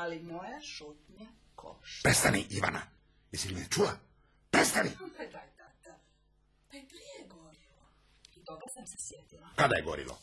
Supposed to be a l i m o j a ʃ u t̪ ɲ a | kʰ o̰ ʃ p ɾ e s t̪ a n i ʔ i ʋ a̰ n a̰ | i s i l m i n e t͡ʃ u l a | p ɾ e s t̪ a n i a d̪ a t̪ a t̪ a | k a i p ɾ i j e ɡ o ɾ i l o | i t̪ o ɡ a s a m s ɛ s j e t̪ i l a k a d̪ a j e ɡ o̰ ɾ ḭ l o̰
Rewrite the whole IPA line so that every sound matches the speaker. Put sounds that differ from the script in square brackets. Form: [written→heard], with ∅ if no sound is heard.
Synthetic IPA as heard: a l i m o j a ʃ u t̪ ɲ a | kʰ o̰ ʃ p ɾ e s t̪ a n i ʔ i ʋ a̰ n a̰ | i s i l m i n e t͡ʃ u l a | p ɾ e s t̪ a n i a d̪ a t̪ a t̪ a | [k→p] a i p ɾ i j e ɡ o ɾ i l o | i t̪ o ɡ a s a m s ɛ s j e t̪ i l a k a d̪ a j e ɡ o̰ ɾ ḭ l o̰